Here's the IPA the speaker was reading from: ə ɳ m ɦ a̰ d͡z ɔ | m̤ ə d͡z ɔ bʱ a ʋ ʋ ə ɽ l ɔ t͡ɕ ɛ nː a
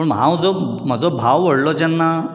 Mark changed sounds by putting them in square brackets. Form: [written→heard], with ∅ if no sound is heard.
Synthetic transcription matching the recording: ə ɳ m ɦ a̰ d͡z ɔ | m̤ ə d͡z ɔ bʱ a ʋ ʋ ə ɽ l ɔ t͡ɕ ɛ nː a

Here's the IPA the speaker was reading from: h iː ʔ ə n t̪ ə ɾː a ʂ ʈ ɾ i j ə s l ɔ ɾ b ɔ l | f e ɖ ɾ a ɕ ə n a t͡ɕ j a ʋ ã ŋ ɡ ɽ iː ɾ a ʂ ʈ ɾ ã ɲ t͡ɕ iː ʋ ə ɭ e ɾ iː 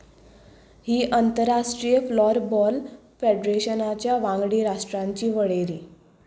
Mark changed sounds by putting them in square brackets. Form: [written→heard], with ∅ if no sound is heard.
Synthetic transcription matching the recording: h iː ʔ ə n t̪ ə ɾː a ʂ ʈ ɾ i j ə [s→f] l ɔ ɾ b ɔ l | f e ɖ ɾ [a→e] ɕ ə n a t͡ɕ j a ʋ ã ŋ ɡ ɽ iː ɾ a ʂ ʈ ɾ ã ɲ t͡ɕ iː ʋ ə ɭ e ɾ iː

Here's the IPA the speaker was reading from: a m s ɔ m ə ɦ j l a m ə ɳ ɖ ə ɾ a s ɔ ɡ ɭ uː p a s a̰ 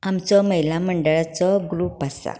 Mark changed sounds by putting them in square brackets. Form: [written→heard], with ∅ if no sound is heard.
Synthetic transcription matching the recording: a m [s→t͡s] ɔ m ə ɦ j l a m ə ɳ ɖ ə [ɾ→ɭ] a [s→t͡s] ɔ ɡ [ɭ→ɾ] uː p a s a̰

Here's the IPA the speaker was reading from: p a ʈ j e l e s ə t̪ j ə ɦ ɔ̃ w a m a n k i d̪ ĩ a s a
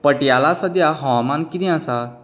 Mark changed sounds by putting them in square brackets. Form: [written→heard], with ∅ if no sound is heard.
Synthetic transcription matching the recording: p [a→ə] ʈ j [e→a] l [e→a] s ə [t̪→d̪] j [ə→a] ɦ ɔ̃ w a m a n k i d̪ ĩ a s a

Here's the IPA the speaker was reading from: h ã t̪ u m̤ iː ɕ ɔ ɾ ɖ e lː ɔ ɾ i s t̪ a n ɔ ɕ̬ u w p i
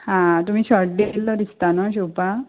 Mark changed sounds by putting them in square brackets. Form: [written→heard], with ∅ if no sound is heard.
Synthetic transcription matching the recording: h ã t̪ u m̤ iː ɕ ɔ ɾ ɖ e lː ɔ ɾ i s t̪ a n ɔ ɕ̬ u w p [i→a]

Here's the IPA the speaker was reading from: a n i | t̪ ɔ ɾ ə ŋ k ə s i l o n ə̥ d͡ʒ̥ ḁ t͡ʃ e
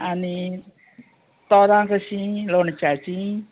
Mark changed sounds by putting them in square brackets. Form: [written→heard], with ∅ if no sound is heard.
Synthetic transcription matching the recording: a n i | t̪ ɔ ɾ [ə→a] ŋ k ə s i l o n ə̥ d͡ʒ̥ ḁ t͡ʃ [e→i]

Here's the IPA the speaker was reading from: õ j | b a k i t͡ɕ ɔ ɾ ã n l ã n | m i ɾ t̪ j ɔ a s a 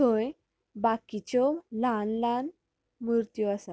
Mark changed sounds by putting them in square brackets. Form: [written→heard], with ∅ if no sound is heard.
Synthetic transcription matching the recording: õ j | b a k i t͡ɕ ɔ [ɾ→l] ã n l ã n | m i ɾ t̪ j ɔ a s a

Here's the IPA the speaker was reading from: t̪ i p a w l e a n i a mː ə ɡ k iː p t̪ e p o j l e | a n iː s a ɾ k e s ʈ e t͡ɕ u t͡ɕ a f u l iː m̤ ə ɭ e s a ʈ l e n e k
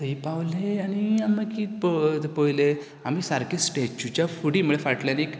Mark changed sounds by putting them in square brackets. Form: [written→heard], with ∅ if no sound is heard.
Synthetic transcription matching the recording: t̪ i p a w l e a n i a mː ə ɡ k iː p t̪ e p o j l e | a [n→m] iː s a ɾ k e s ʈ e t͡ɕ u t͡ɕ a f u [l→ɽ] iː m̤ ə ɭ e [s→f] a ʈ l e n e k

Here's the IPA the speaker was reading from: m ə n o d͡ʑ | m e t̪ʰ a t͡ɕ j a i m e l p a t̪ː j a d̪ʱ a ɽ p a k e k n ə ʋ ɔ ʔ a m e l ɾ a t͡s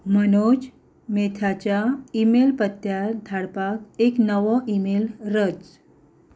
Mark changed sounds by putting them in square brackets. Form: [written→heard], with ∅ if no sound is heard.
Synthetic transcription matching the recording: m ə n o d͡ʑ | m e t̪ʰ a t͡ɕ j a i m e l p [a→ə] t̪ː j a d̪ʱ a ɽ p a k e k n ə ʋ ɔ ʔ [a→i] m e l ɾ [a→ə] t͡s

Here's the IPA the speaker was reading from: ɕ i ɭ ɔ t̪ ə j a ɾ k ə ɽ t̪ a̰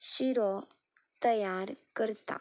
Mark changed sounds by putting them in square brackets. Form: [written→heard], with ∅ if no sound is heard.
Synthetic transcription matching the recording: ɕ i [ɭ→ɾ] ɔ t̪ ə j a ɾ k ə [ɽ→ɾ] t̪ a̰

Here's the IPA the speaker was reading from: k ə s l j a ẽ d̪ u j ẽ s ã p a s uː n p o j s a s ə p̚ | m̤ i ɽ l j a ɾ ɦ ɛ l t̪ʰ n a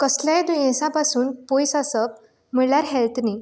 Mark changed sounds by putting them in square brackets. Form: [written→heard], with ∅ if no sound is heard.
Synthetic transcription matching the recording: k ə s l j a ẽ d̪ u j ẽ s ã p a s uː n p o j s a s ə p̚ | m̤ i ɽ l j a ɾ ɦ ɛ l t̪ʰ n [a→i]

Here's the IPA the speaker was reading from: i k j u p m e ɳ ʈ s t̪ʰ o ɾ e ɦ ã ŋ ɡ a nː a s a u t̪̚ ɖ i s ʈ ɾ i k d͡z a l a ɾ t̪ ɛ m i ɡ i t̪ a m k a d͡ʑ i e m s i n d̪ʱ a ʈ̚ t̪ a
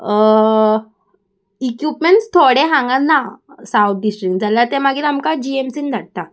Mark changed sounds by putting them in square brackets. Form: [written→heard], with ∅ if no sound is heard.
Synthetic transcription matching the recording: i k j u p m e ɳ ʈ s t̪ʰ o [ɾ→ɽ] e ɦ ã ŋ ɡ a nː a s a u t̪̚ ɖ i s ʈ ɾ i k d͡z a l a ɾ t̪ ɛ m [i→a] ɡ i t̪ a m k a d͡ʑ i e m s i n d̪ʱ a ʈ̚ t̪ a

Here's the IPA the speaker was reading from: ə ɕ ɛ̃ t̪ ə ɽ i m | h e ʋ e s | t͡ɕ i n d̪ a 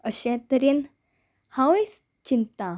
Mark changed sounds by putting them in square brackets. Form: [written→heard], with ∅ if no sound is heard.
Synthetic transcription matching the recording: ə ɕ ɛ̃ t̪ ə [ɽ→ɾ] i [m→n] | h [e→a] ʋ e s | t͡ɕ i n [d̪→t̪] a

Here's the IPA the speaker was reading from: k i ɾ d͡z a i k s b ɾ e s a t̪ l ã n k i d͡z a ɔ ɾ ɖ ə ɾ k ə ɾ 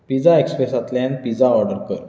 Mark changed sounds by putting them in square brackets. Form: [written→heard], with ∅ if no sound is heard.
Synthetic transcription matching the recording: [k→p] i [ɾ→∅] d͡z a [i→e] k s [b→p] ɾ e s a t̪ l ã n [k→p] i d͡z a ɔ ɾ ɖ ə ɾ k ə ɾ

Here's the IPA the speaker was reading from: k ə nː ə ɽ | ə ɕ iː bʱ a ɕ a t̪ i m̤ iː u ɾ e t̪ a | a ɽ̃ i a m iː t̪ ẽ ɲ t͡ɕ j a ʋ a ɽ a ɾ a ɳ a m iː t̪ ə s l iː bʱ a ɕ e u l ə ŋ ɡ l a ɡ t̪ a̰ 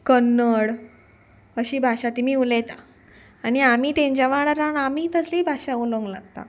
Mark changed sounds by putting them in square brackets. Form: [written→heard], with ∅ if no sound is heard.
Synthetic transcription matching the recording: k ə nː ə ɽ | ə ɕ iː bʱ a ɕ a t̪ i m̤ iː u [ɾ→l] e t̪ a | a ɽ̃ i a m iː t̪ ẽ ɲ t͡ɕ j a ʋ a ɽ a ɾ a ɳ a m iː t̪ ə s l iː bʱ a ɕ [e→a] u l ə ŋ ɡ l a ɡ t̪ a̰

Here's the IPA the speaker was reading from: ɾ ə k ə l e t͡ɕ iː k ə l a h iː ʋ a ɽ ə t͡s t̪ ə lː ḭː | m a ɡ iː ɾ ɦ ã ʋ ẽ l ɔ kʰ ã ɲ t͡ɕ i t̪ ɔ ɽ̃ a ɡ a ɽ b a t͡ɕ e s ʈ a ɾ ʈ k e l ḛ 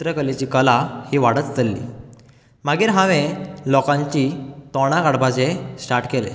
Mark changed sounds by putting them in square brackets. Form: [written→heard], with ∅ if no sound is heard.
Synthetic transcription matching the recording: ɾ ə k ə l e t͡ɕ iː k ə l a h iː ʋ a ɽ ə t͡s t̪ ə lː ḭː | m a ɡ iː ɾ ɦ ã ʋ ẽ l ɔ [kʰ→k] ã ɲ t͡ɕ i t̪ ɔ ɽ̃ a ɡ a ɽ b a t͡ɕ e s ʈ a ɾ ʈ k e l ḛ

